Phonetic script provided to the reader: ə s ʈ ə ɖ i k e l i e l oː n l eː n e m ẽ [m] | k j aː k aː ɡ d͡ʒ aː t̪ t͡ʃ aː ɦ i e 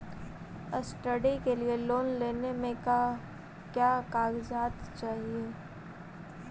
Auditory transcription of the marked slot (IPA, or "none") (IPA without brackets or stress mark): none